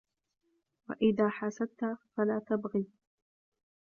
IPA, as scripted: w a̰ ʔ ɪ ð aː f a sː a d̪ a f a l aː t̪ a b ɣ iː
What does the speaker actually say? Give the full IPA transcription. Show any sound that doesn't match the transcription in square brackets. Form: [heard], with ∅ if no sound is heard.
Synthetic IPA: w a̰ ʔ ɪ ð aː [ħ] a [s] a [t̪] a f a l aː t̪ a b ɣ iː